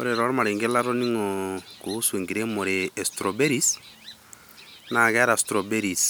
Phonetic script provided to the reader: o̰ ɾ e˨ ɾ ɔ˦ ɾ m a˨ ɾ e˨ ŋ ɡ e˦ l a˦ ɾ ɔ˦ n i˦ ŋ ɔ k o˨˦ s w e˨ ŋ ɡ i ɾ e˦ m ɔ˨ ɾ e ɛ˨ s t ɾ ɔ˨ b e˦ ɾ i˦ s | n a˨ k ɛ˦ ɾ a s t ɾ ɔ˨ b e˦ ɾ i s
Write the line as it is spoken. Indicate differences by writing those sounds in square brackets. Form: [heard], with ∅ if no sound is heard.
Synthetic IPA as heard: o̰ ɾ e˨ ɾ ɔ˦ ɾ m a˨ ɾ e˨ ŋ ɡ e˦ l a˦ ɾ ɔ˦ n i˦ ŋ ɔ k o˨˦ s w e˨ ŋ ɡ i ɾ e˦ m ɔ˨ ɾ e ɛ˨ s t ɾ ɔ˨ b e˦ ɾ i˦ s | n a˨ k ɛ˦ ɾ a s t ɾ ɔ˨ b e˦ ɾ i s